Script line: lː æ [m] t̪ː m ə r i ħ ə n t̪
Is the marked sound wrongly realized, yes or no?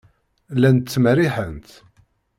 yes